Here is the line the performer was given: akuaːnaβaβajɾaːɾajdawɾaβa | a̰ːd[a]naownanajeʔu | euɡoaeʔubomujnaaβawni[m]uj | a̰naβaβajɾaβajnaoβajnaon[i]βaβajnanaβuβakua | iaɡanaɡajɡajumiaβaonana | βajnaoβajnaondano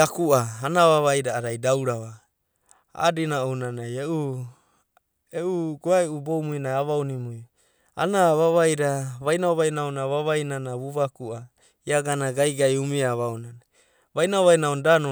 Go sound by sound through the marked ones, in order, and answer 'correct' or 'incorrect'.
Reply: incorrect: i, correct, incorrect: a

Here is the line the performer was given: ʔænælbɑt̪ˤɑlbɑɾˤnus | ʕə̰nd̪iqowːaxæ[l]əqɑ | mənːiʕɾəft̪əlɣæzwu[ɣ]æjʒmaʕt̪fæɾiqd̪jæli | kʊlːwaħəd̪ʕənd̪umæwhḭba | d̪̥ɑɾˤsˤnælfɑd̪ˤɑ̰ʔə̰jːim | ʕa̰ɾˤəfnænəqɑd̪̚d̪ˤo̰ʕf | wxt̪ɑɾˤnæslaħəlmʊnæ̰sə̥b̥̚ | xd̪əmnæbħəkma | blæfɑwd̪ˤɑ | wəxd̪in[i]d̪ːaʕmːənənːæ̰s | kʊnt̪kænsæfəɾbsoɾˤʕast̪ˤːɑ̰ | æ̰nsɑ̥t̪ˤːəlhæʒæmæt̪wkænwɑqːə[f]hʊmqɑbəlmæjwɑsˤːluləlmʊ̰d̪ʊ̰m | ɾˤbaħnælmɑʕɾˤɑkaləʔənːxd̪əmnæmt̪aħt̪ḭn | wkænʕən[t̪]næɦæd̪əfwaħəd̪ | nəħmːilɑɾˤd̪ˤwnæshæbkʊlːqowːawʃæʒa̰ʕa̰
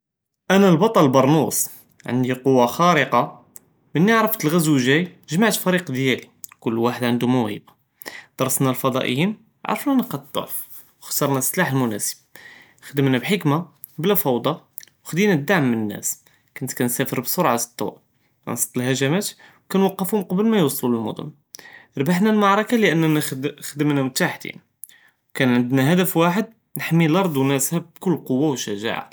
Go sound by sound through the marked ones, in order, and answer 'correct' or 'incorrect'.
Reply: incorrect: ɾ, incorrect: ʒ, incorrect: æ, correct, incorrect: d̪

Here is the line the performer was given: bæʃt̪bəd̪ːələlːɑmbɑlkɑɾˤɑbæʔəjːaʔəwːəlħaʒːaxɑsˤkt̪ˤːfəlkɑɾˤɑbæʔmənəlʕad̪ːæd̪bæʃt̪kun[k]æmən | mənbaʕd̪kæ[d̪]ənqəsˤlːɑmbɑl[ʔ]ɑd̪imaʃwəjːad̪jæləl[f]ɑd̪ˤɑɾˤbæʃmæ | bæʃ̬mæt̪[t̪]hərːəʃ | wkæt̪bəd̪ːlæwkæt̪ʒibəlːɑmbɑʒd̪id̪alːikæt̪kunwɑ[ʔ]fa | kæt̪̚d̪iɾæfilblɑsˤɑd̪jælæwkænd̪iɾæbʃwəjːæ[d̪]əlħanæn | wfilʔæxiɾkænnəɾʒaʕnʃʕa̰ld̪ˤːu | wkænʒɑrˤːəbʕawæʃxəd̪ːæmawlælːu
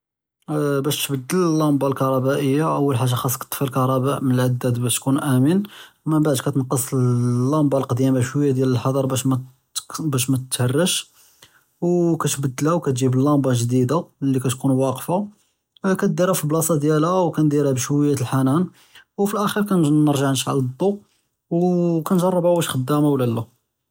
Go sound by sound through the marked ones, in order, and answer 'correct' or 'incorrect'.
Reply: incorrect: ʔ, incorrect: t̪, incorrect: q, incorrect: ħ, correct, incorrect: q, incorrect: t̪

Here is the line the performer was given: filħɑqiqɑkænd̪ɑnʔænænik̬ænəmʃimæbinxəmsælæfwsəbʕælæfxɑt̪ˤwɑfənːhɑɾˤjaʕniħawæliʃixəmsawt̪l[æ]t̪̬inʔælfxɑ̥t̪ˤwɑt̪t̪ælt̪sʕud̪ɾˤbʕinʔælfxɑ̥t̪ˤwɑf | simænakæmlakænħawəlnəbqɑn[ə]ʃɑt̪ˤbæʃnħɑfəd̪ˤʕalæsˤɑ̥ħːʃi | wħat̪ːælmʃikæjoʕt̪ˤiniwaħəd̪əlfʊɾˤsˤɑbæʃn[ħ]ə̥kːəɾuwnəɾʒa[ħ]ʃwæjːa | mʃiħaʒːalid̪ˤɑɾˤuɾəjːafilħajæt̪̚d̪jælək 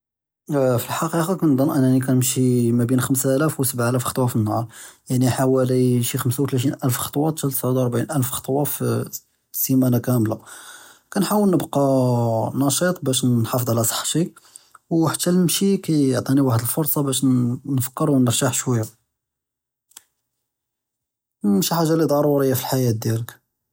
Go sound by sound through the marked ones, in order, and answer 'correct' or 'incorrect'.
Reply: correct, incorrect: ɑ, incorrect: f, correct

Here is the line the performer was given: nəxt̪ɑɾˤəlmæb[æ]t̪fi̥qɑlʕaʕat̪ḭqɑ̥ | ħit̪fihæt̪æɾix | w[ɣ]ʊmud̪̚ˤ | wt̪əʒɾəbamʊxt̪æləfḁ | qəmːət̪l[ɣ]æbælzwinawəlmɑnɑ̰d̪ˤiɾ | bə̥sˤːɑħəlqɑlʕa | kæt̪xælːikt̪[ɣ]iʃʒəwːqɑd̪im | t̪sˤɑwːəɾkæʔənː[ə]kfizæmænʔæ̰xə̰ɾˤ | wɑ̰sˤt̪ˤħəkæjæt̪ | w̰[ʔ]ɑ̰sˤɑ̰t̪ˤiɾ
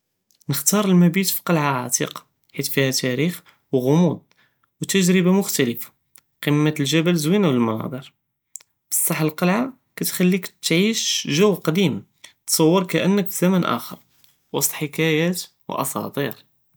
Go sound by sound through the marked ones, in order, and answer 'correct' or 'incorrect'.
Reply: incorrect: i, correct, incorrect: ʒ, incorrect: ʕ, correct, correct

